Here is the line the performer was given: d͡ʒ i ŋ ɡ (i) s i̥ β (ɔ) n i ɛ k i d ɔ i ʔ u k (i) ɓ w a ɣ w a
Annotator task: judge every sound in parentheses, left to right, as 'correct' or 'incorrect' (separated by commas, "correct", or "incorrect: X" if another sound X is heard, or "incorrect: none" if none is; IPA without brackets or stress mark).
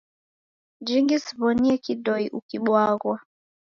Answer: correct, correct, correct